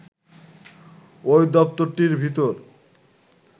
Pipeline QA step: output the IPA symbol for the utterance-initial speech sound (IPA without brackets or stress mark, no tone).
o